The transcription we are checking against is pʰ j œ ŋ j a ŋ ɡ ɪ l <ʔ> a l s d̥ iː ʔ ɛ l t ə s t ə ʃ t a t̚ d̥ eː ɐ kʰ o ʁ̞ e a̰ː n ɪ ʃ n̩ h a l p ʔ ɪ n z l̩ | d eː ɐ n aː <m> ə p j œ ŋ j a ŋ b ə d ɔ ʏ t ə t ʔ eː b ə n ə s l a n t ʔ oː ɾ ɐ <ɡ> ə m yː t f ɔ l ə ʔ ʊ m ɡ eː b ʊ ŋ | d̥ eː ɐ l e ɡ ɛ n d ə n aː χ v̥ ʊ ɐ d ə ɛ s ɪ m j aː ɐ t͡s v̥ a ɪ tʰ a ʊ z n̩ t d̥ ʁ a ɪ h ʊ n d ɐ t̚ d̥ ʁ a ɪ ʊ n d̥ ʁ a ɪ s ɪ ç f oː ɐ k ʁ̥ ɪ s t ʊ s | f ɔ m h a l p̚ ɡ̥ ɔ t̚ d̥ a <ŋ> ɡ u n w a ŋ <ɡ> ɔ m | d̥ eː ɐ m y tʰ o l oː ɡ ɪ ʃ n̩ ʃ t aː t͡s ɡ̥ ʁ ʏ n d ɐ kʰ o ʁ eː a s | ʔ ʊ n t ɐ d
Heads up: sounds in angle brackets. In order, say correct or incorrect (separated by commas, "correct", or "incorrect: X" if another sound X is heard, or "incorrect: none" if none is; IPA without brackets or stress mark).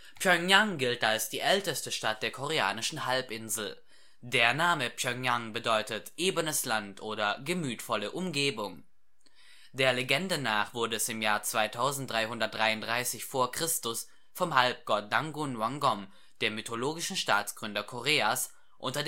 incorrect: t, correct, correct, correct, correct